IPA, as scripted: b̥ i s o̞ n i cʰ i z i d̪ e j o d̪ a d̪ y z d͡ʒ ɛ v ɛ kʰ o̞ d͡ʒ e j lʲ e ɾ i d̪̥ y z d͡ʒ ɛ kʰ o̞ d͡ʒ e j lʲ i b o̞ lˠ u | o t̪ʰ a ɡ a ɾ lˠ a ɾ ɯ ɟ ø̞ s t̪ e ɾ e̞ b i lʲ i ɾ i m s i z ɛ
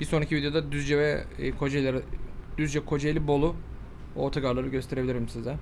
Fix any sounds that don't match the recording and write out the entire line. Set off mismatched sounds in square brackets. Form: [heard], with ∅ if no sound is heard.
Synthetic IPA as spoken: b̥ i s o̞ n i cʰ i [v] i d̪ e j o d̪ a d̪ y z d͡ʒ ɛ v ɛ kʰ o̞ d͡ʒ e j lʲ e ɾ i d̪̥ y z d͡ʒ ɛ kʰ o̞ d͡ʒ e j lʲ i b o̞ lˠ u | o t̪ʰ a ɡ a ɾ lˠ a ɾ ɯ ɟ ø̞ s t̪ e ɾ e̞ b i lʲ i ɾ i m s i z ɛ